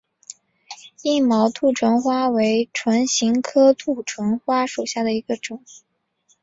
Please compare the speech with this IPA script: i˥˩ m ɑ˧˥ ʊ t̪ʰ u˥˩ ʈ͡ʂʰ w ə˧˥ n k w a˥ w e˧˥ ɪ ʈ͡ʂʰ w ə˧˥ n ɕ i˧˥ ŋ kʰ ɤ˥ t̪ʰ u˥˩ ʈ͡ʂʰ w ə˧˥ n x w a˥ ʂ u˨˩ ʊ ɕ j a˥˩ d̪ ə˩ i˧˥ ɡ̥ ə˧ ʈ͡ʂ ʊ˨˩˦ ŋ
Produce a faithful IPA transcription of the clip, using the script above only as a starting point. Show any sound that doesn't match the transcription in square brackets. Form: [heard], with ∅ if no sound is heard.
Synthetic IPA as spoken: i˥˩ m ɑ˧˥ ʊ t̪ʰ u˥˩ ʈ͡ʂʰ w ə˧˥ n [x] w a˥ w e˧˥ ɪ ʈ͡ʂʰ w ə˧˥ n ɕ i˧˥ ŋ kʰ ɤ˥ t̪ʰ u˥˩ ʈ͡ʂʰ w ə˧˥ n x w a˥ ʂ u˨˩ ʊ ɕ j a˥˩ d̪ ə˩ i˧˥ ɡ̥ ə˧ ʈ͡ʂ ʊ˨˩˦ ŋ